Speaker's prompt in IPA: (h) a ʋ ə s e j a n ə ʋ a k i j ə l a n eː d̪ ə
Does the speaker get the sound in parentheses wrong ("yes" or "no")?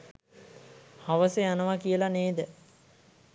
no